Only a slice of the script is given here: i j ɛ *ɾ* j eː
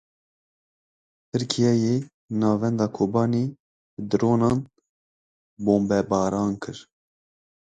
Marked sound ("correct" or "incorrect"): incorrect